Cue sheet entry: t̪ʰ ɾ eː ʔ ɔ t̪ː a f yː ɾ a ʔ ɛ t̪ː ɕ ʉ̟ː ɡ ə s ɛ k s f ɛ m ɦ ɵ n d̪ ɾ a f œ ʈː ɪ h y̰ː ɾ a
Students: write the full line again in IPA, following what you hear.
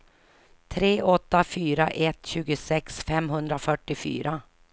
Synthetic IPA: t̪ʰ ɾ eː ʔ ɔ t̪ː a f yː ɾ a ʔ ɛ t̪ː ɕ ʉ̟ː ɡ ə s ɛ k s f ɛ m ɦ ɵ n d̪ ɾ a f œ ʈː ɪ f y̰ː ɾ a